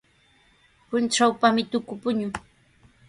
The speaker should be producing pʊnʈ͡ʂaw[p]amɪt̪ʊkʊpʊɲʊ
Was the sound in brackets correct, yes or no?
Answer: yes